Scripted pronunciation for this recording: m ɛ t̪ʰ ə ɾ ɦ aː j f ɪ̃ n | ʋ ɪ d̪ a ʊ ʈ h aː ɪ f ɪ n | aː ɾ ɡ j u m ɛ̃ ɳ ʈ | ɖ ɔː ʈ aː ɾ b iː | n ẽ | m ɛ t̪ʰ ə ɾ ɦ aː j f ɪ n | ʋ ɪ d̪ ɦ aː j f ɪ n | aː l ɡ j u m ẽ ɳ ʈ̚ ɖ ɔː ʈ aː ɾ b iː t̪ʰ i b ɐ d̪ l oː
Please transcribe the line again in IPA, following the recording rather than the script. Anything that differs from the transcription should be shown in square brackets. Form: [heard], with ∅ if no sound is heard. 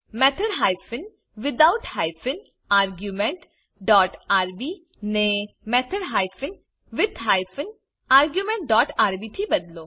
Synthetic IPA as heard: m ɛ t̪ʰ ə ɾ ɦ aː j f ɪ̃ n | ʋ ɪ d̪ a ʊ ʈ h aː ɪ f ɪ n | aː ɾ ɡ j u m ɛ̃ ɳ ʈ | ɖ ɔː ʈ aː ɾ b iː | n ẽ | m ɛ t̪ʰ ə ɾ ɦ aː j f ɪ n | ʋ ɪ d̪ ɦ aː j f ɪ n | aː [ɾ] ɡ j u m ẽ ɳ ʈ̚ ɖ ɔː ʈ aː ɾ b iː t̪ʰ i b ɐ d̪ l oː